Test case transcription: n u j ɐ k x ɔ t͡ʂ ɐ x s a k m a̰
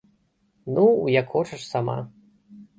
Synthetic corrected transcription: n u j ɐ k x ɔ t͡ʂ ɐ ʂ s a m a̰